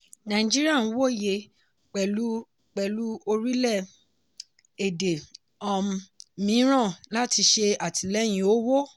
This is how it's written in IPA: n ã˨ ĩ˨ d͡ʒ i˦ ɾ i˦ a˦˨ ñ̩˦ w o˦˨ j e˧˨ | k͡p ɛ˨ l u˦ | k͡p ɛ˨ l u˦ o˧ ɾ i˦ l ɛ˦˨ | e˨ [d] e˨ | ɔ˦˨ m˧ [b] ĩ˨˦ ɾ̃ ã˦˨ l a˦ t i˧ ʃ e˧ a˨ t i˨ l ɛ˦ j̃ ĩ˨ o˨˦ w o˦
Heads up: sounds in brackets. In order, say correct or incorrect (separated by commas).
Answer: correct, incorrect